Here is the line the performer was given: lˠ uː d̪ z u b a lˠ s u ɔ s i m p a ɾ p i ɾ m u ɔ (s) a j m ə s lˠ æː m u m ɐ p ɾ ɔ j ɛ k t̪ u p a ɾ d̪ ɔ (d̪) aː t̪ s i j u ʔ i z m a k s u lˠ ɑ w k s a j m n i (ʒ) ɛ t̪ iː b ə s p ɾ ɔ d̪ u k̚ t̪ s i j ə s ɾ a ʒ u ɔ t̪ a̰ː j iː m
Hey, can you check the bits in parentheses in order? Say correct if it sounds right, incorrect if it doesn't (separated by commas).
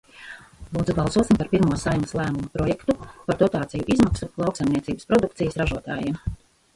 correct, incorrect, incorrect